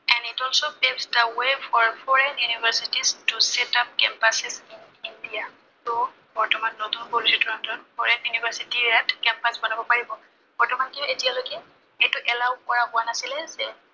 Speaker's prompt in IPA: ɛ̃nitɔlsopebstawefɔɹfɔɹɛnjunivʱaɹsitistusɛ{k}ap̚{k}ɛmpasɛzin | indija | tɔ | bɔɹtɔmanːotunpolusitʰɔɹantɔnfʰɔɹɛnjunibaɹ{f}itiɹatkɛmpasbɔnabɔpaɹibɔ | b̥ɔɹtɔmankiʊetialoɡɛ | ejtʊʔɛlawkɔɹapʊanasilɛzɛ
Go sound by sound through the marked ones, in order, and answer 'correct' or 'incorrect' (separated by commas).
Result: incorrect, correct, incorrect